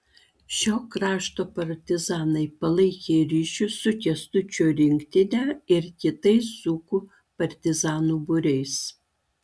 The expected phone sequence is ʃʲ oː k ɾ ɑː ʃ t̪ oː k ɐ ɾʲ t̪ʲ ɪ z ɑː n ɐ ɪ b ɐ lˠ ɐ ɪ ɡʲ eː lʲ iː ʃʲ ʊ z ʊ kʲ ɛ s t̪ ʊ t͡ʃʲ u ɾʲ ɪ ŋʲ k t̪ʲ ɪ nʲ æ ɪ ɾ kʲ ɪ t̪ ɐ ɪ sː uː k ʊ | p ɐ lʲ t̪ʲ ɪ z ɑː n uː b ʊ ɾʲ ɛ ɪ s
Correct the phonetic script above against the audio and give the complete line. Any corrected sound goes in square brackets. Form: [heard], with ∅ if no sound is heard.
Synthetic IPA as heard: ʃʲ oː k ɾ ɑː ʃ t̪ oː [p] ɐ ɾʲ t̪ʲ ɪ z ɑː n ɐ ɪ [p] ɐ lˠ ɐ ɪ [kʲ] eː [ɾʲ] iː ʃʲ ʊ [s] ʊ kʲ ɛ s t̪ ʊ t͡ʃʲ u ɾʲ ɪ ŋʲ k t̪ʲ ɪ nʲ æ ɪ ɾ kʲ ɪ t̪ ɐ ɪ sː uː k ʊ | p ɐ [ɾʲ] t̪ʲ ɪ z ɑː n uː b ʊ ɾʲ ɛ ɪ s